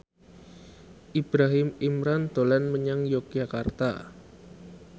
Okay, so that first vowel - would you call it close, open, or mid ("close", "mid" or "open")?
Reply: close